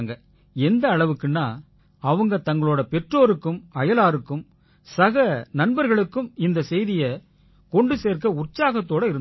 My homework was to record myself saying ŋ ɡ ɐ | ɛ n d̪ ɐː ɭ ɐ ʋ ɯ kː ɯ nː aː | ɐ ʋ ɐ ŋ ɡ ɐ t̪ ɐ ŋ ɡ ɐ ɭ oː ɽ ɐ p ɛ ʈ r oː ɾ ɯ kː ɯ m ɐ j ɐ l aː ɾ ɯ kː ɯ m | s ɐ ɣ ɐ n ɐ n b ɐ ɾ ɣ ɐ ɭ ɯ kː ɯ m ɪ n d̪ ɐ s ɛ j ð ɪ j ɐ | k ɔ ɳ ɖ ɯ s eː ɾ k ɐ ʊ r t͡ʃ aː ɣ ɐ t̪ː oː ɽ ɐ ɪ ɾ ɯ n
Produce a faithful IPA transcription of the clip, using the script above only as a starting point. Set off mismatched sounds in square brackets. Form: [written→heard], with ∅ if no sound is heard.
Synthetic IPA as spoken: ŋ ɡ ɐ | ɛ n d̪ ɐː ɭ ɐ ʋ ɯ kː ɯ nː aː | ɐ ʋ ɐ ŋ ɡ ɐ t̪ ɐ ŋ ɡ ɐ ɭ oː ɽ ɐ p ɛ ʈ r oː ɾ ɯ kː ɯ m ɐ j ɐ l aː ɾ ɯ kː ɯ m | s ɐ ɣ ɐ n ɐ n b ɐ ɾ ɣ ɐ ɭ ɯ kː ɯ m ɪ n d̪ ɐ s ɛ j ð ɪ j ɐ | k ɔ ɳ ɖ ɯ s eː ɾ k ɐ ʊ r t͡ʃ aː ɣ ɐ t̪ː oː ɽ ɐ ɪ ɾ ɯ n